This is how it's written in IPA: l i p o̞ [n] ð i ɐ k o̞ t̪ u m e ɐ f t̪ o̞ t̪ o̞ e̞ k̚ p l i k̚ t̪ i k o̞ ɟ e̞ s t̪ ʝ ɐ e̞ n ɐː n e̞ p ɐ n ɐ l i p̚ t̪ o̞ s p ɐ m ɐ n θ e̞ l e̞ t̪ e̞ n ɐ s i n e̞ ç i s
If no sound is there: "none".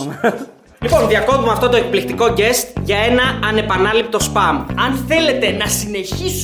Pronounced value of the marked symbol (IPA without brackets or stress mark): n